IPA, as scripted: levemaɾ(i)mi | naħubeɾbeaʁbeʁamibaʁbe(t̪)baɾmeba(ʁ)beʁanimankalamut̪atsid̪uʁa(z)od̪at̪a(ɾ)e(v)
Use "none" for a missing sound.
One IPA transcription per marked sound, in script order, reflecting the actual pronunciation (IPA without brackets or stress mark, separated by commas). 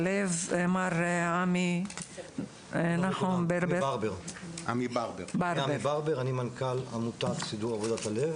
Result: a, none, ʁ, v, l, v